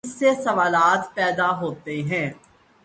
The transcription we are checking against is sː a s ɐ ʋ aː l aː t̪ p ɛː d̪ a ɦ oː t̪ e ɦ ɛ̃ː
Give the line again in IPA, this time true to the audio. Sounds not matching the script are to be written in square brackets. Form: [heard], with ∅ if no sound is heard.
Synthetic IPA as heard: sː [e] s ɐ ʋ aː l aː t̪ p ɛː d̪ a ɦ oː t̪ e ɦ ɛ̃ː